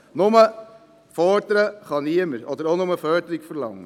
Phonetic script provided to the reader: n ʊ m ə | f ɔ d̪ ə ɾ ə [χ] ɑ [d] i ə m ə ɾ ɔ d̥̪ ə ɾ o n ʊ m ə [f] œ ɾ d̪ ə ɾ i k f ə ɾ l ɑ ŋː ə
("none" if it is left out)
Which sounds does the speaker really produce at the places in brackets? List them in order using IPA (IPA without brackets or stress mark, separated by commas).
χ, n, f